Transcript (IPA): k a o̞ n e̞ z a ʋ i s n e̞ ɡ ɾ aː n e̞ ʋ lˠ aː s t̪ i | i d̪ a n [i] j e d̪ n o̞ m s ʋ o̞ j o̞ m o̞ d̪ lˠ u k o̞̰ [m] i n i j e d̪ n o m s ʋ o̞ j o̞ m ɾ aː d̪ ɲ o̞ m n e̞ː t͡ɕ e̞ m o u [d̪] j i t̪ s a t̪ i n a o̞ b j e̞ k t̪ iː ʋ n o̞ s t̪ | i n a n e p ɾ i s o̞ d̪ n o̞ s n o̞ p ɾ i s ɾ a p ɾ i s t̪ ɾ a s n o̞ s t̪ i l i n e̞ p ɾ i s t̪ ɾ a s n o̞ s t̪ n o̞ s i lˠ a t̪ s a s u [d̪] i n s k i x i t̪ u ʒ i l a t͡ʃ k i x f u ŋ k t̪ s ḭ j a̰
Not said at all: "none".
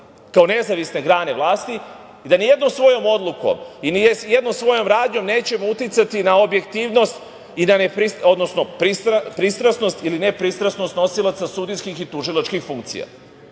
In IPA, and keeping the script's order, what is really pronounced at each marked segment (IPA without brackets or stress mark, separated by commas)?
i, m, t̪, d̪